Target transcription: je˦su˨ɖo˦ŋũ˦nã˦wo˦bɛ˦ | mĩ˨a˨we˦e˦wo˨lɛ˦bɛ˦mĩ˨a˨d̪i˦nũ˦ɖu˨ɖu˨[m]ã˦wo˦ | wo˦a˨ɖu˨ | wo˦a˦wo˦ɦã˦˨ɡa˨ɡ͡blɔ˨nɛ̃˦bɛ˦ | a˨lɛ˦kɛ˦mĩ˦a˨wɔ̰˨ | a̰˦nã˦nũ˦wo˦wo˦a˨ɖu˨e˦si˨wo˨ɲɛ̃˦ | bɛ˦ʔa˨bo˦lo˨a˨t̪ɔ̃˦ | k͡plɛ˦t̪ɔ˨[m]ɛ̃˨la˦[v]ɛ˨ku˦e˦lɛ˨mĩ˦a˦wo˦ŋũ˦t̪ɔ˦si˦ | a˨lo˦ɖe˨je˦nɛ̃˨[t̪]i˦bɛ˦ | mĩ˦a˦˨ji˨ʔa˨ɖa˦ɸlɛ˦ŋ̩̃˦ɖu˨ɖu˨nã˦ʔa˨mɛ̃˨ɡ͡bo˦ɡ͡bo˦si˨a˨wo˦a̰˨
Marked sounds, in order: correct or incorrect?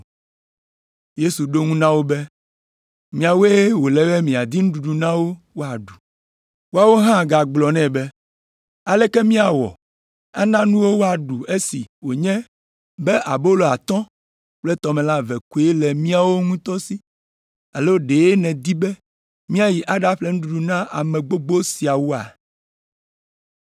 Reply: incorrect, correct, correct, incorrect

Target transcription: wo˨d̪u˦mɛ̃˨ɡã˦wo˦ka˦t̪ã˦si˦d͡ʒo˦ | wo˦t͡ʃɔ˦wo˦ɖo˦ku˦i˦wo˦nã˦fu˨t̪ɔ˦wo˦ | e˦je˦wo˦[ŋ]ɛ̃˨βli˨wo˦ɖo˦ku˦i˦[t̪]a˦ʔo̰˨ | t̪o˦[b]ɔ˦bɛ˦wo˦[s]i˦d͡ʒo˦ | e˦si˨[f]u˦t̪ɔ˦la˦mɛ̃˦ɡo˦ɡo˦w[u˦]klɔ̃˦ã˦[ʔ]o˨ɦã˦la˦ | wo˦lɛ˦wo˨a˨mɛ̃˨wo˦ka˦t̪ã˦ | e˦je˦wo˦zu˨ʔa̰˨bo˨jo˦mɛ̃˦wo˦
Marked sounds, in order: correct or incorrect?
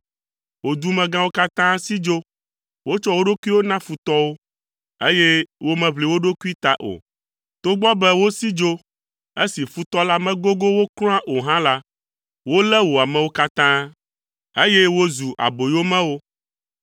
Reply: incorrect, correct, incorrect, correct, correct, incorrect, correct

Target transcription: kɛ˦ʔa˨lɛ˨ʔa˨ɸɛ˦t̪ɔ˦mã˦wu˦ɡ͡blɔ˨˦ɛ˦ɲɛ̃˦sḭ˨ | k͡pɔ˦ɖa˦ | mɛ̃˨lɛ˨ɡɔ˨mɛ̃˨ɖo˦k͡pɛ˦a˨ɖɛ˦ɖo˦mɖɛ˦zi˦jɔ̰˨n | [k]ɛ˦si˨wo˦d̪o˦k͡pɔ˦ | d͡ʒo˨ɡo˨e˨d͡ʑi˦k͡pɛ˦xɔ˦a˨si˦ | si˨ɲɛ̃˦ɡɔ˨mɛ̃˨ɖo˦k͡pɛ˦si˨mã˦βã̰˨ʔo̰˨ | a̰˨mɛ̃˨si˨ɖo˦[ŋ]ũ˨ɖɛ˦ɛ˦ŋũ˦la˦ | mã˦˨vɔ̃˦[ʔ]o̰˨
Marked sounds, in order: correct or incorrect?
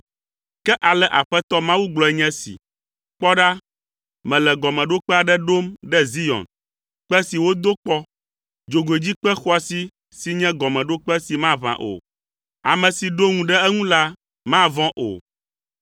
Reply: incorrect, correct, correct

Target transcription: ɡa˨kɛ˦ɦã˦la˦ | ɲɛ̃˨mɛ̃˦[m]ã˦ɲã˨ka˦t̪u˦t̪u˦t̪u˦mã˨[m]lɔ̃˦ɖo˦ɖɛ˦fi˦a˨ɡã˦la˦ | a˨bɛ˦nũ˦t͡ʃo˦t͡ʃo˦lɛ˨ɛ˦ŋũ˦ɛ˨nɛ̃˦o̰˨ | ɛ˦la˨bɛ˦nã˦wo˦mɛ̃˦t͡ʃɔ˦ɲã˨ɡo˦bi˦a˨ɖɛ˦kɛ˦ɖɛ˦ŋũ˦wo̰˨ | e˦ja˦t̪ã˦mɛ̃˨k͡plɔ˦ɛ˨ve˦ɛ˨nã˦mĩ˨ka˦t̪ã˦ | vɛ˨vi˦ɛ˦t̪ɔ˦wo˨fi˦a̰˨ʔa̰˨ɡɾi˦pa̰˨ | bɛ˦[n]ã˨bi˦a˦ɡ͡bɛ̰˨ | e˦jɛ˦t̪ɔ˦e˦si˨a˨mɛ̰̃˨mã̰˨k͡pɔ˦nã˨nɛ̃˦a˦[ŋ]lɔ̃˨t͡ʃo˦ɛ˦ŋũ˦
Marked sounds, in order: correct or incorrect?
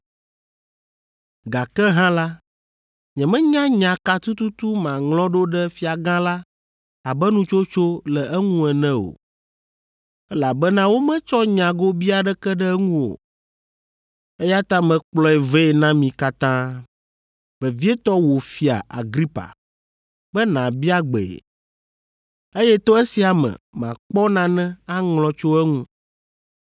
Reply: incorrect, incorrect, correct, correct

